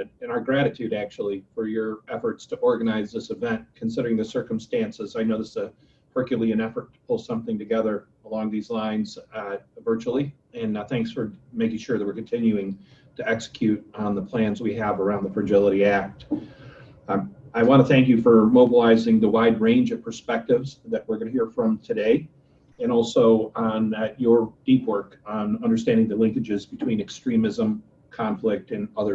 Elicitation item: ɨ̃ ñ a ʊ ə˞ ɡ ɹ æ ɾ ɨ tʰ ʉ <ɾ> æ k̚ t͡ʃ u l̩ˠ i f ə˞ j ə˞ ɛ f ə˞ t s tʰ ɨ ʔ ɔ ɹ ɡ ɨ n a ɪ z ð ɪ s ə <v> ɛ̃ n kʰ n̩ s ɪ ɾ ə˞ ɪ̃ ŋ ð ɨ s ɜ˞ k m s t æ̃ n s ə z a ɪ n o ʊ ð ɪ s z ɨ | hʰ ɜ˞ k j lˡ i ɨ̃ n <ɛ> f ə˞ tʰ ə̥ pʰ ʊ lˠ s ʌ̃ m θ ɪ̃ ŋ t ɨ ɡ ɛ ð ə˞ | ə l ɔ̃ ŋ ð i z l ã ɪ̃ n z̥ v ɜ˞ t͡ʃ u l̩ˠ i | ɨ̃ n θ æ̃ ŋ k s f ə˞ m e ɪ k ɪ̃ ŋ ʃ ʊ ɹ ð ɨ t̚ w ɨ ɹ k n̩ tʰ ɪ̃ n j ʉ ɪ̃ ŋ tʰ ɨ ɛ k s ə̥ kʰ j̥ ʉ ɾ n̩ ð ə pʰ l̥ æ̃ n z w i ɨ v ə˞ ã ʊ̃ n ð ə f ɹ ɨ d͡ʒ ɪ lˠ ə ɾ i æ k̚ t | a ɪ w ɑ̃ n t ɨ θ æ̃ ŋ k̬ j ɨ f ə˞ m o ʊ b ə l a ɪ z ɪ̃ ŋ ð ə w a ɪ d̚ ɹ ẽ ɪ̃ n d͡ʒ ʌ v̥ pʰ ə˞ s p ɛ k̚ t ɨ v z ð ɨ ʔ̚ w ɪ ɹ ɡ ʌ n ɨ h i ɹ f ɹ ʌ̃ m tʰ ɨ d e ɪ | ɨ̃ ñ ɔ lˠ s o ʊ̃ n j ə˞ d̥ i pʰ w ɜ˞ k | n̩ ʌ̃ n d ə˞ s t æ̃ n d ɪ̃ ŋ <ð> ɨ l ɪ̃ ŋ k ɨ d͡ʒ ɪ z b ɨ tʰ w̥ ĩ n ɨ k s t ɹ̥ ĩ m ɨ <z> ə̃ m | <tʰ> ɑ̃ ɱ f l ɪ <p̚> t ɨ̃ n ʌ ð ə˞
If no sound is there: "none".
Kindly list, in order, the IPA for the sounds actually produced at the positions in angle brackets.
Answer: ɾ, v, ɛ, ð, z, kʰ, k̚

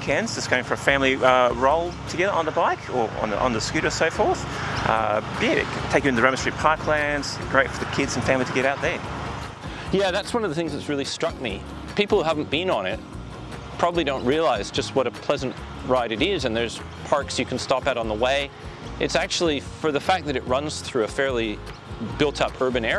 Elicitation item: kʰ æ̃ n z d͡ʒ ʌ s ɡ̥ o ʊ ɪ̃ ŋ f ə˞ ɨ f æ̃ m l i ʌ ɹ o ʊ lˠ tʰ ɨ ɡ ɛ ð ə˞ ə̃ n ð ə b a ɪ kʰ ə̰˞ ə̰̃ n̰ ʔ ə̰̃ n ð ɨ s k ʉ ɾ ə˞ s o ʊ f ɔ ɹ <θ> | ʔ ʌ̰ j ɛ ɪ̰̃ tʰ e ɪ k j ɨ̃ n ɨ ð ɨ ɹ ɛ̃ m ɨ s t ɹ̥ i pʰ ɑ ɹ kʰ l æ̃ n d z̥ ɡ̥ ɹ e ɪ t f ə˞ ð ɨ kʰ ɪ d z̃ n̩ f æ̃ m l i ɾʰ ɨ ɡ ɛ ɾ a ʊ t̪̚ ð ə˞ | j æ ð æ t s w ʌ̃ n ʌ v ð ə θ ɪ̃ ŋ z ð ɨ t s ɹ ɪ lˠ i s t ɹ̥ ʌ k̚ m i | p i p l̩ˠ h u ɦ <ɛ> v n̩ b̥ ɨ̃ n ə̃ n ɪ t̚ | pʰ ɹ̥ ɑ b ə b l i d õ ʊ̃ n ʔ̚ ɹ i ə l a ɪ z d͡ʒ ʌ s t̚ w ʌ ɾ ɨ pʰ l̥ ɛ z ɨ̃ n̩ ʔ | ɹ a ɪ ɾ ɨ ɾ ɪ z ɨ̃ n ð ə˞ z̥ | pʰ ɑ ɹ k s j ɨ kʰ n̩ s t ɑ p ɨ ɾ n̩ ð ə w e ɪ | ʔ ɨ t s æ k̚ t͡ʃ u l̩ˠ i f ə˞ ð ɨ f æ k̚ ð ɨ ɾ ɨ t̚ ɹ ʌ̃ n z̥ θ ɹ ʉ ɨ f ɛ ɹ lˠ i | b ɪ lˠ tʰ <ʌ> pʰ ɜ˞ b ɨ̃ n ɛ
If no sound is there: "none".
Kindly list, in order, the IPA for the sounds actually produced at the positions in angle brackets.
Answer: θ, æ, ʌ

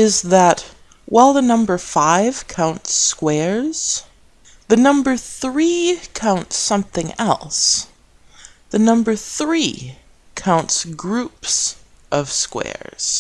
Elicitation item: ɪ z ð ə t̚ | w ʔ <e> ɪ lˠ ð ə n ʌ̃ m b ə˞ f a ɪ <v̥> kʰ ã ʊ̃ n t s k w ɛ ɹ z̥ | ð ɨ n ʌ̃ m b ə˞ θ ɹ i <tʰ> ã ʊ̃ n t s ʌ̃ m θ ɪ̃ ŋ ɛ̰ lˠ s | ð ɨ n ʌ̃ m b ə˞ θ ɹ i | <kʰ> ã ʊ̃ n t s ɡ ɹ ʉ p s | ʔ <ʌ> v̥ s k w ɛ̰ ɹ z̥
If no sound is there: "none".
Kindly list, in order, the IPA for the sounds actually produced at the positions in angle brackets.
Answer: a, v̥, kʰ, kʰ, ʌ

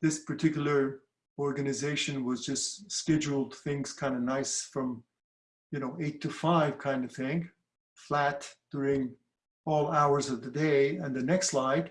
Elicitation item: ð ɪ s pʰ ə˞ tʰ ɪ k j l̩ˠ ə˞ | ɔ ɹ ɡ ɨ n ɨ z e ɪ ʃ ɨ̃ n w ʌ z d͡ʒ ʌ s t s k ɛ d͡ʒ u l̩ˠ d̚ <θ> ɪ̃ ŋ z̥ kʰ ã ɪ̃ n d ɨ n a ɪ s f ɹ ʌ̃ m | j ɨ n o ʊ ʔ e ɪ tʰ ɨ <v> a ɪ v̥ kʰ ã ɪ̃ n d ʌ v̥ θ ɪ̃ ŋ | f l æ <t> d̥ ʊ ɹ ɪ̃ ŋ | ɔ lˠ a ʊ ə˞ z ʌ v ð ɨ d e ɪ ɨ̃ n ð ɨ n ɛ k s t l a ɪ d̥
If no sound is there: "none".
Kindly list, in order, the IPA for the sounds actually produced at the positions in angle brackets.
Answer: θ, f, t

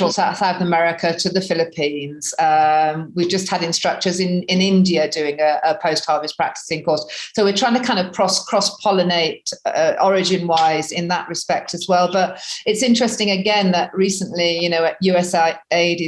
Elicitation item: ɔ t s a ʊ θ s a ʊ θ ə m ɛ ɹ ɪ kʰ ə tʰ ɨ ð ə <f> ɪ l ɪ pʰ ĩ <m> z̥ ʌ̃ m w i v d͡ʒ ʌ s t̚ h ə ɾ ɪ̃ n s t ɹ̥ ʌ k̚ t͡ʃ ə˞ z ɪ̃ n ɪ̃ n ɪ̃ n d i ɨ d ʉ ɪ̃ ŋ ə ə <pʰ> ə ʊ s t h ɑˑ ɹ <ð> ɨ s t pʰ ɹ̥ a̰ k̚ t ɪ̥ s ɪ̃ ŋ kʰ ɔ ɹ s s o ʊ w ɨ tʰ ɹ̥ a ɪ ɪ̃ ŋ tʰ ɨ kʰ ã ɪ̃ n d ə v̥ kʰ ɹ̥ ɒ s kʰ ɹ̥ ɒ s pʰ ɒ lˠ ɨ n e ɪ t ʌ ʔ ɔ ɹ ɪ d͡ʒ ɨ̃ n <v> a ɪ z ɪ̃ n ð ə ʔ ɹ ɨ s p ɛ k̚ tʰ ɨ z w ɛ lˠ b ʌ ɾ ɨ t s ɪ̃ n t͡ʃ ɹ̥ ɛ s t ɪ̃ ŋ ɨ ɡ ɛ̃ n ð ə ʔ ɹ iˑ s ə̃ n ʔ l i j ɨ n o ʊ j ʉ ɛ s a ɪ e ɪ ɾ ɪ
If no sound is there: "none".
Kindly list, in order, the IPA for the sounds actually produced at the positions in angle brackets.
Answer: f, n, pʰ, v, w

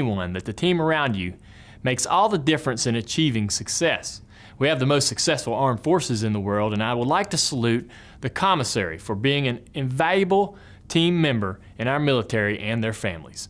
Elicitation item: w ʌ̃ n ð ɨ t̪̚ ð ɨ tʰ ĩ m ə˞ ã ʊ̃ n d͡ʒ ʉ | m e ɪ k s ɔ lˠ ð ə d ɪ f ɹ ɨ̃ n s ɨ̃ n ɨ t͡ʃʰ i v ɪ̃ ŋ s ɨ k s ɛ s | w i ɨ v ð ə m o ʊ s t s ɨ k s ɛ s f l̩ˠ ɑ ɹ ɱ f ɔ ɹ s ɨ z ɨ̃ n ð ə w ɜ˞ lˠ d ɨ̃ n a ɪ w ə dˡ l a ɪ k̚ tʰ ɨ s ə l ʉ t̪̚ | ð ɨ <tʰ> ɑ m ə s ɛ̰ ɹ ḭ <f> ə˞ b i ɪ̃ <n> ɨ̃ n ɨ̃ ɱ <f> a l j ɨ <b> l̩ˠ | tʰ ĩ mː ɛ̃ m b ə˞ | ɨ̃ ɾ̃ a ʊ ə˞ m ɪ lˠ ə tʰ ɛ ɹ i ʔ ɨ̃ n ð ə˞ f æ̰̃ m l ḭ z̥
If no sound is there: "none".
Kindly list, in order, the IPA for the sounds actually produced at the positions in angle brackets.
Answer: kʰ, f, ŋ, v, b

